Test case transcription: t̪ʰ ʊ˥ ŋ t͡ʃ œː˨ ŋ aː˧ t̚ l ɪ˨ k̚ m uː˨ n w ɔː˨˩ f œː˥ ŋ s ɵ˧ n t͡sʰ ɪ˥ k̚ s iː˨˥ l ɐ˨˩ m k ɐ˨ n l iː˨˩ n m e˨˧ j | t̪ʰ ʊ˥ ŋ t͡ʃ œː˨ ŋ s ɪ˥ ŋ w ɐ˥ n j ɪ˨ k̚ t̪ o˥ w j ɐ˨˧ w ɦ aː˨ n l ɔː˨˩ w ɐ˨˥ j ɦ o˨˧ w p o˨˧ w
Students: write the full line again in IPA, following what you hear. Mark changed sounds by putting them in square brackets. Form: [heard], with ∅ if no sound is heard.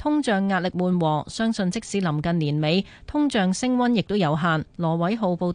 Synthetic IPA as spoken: t̪ʰ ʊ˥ ŋ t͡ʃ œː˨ [ŋː] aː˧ t̚ l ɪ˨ k̚ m uː˨ n w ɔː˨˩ [s] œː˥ ŋ s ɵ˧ n [t͡s] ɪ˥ k̚ s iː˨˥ l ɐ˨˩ m k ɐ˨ n l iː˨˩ n m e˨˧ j | t̪ʰ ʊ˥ ŋ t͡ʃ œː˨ ŋ s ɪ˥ ŋ w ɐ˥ n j ɪ˨ k̚ t̪ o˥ w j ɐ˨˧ w ɦ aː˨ n l ɔː˨˩ w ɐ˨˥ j ɦ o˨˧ w p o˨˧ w